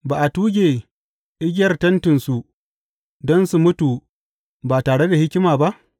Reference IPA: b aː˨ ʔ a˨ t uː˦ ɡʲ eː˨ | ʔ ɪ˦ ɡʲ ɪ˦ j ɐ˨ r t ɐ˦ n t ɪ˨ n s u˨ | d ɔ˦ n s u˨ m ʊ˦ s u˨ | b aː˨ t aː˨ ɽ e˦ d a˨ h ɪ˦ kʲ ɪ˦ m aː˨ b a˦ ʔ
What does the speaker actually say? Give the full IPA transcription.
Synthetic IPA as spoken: b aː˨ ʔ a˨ t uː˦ ɡʲ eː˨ | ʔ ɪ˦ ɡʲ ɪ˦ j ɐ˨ r t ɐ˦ n t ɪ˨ n s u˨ | d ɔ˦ n s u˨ m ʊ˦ t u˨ | b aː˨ t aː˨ ɽ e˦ d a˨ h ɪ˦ kʲ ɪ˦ m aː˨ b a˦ ʔ